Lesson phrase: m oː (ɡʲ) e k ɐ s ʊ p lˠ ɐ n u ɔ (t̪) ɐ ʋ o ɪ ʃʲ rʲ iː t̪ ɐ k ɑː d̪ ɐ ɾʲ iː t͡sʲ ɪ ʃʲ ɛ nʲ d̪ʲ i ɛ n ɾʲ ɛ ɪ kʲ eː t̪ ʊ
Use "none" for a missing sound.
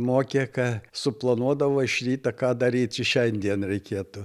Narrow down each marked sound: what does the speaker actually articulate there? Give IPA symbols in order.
kʲ, d̪

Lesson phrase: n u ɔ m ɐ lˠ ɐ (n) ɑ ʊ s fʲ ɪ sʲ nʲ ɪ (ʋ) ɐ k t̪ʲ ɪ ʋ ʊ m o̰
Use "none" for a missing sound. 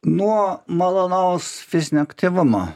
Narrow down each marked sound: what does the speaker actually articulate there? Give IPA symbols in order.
n, none

